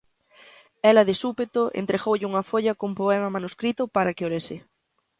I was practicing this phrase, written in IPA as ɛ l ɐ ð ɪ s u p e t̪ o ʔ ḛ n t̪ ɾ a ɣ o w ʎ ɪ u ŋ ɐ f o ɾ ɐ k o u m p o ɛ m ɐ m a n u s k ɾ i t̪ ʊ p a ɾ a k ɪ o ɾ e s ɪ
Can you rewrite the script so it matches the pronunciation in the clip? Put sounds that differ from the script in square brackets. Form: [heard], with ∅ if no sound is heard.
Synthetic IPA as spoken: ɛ l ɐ ð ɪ s u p e t̪ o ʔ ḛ n t̪ ɾ [e] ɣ o w ʎ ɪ u ŋ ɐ f o [ʎ] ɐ k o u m p o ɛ m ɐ m a n u s k ɾ i t̪ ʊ p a ɾ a k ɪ o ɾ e s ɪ